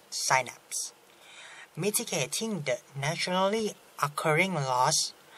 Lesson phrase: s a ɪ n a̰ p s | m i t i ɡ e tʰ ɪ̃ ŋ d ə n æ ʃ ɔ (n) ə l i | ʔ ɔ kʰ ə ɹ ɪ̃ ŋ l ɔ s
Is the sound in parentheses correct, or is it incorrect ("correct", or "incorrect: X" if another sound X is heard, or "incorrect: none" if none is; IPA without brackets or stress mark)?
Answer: correct